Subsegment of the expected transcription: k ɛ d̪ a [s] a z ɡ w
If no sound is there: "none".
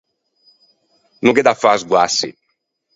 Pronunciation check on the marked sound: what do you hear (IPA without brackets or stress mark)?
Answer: f